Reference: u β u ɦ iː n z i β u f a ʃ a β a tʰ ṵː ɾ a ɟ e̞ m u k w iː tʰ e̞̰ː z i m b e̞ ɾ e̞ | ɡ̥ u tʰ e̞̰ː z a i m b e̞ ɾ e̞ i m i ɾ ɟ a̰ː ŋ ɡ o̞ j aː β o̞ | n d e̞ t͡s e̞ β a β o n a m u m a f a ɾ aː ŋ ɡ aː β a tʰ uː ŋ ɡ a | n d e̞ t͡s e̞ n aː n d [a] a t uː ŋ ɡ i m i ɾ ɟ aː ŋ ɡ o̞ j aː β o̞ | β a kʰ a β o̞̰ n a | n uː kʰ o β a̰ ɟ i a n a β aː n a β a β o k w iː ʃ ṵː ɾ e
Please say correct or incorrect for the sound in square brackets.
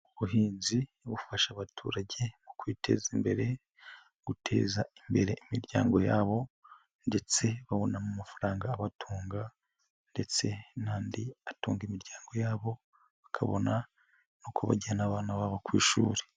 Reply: incorrect